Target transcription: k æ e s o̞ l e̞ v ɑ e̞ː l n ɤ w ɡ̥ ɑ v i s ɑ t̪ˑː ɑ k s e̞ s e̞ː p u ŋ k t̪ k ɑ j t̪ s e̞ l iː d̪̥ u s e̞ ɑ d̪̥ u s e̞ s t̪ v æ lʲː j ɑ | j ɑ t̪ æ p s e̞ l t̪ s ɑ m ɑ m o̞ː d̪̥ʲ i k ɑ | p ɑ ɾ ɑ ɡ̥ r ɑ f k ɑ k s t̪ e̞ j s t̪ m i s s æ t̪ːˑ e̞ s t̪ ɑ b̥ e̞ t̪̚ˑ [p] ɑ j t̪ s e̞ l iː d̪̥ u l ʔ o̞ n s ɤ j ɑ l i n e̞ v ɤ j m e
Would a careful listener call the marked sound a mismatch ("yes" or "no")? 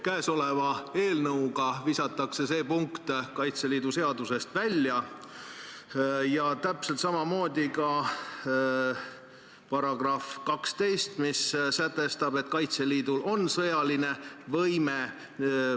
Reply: yes